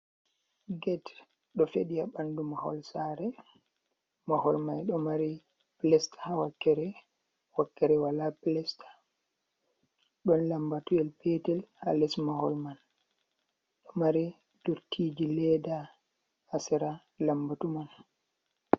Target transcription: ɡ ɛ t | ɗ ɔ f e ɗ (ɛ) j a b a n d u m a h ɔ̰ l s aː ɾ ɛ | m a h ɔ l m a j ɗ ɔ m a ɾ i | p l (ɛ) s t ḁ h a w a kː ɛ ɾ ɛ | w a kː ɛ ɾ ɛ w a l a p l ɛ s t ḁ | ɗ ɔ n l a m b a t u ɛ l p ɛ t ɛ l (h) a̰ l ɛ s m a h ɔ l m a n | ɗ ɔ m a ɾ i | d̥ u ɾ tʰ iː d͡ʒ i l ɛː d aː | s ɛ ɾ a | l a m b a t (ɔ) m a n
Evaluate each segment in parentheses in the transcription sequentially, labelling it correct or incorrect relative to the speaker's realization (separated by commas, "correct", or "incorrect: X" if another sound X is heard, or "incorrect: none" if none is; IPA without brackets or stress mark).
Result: incorrect: i, correct, correct, incorrect: u